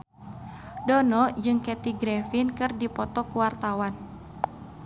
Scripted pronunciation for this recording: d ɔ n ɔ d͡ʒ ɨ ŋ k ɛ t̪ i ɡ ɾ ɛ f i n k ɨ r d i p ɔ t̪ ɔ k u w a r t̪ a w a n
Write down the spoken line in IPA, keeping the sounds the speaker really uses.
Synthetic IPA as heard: d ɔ n ɔ d͡ʒ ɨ ŋ k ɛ t̪ i ɡ ɾ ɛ f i n k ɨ r d i p ɔ t̪ ɔ k u w a r t̪ a w a n